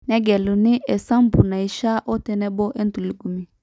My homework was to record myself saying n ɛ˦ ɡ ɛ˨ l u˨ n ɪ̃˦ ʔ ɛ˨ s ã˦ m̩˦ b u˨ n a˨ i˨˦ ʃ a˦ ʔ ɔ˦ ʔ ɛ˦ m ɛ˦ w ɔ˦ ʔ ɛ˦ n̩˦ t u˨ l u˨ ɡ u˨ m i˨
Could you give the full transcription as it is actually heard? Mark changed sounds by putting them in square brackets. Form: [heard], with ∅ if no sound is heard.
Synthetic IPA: n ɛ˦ ɡ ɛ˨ l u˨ n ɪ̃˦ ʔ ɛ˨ s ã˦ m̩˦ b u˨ n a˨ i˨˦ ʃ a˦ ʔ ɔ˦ [t] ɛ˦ [n] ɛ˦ [b] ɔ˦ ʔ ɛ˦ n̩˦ t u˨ l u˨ ɡ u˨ m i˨